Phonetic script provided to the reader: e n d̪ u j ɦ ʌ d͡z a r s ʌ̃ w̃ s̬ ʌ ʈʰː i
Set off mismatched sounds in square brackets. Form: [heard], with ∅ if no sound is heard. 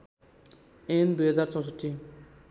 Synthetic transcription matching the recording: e n d̪ u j ɦ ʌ d͡z a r [t͡s] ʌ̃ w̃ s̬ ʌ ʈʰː i